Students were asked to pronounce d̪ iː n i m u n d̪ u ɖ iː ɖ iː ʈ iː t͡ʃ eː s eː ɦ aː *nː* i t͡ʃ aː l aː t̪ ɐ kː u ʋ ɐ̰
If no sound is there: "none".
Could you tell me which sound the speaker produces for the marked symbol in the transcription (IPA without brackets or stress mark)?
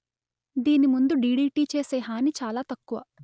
n